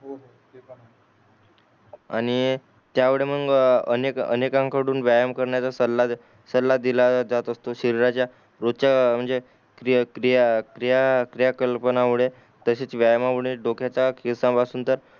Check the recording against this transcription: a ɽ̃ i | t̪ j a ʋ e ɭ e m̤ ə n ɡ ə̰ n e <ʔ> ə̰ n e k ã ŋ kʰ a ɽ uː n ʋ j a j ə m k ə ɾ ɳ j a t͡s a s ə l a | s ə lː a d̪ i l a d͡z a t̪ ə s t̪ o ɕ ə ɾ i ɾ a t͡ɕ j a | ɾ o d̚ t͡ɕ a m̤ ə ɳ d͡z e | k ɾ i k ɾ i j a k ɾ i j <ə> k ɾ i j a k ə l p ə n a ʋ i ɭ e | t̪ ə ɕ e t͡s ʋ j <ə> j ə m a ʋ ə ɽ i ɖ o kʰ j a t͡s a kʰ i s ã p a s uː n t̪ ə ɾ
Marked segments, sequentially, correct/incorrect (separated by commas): incorrect, incorrect, incorrect